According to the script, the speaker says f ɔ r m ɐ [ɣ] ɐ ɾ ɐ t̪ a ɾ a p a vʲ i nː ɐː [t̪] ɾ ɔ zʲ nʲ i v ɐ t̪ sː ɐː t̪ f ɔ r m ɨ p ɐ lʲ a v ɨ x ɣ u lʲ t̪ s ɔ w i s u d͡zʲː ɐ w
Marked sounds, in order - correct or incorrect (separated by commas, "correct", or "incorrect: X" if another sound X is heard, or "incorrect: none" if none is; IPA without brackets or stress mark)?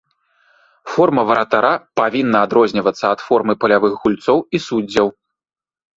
incorrect: v, incorrect: d̪